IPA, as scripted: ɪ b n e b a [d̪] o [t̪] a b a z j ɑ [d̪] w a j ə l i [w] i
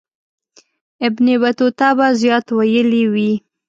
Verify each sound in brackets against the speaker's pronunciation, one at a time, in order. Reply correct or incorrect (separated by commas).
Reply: incorrect, correct, incorrect, correct